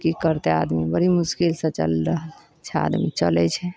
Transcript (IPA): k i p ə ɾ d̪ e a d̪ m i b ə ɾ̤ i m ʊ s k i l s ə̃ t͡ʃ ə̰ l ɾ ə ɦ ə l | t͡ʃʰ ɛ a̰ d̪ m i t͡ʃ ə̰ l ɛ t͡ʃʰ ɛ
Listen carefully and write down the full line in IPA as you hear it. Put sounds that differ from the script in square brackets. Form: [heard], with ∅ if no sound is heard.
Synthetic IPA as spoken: k i [k] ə ɾ [t̪] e a d̪ m i b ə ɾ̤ i m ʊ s k i l s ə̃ t͡ʃ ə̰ l ɾ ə ɦ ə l | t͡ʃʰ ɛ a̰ d̪ m i t͡ʃ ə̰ l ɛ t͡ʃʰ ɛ

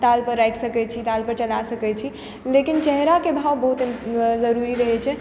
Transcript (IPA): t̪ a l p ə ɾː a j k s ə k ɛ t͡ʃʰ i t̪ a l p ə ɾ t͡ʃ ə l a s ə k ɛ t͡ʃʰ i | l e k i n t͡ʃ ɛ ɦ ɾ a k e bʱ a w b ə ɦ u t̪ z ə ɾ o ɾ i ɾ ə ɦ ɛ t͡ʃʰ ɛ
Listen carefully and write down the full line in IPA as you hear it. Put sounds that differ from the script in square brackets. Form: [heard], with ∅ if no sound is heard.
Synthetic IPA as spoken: t̪ a l p ə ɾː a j k s ə k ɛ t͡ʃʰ i t̪ a l p ə ɾ t͡ʃ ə l a s ə k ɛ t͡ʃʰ i | l e k i n t͡ʃ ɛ ɦ ɾ a k e bʱ a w b ə ɦ u t̪ z ə ɾ [u] ɾ i ɾ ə ɦ ɛ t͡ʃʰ ɛ

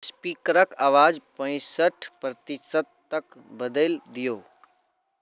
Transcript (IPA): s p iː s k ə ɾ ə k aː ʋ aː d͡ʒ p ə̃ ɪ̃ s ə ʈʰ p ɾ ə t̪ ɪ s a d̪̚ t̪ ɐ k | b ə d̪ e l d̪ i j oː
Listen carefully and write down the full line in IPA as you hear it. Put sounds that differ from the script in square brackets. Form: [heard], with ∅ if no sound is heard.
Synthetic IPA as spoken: s p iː [∅] k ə ɾ ə k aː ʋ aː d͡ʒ p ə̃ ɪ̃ s ə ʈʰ p ɾ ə t̪ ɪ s [ə] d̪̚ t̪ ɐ k | b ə d̪ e l d̪ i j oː

